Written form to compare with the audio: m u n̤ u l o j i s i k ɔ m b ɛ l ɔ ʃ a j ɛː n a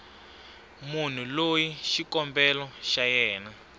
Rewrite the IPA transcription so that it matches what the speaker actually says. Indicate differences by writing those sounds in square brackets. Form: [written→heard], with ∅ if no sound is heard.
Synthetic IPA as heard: m u n̤ u l o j i [s→ʃ] i k ɔ m b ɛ l ɔ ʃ a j ɛː n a